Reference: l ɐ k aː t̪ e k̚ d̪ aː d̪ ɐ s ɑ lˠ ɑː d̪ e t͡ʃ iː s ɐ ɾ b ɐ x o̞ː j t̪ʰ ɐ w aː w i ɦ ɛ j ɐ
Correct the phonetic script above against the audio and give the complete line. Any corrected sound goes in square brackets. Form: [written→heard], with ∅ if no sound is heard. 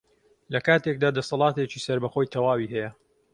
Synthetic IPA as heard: l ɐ k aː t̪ e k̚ d̪ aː d̪ ɐ s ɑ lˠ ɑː [d̪→t̪] e t͡ʃ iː s ɐ ɾ b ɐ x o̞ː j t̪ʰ ɐ w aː w i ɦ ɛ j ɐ